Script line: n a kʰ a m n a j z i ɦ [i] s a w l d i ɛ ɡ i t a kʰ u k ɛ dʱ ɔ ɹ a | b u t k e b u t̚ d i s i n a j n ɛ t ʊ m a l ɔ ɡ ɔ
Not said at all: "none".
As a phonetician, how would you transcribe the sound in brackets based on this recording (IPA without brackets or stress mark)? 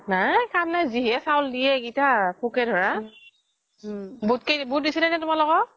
ɛ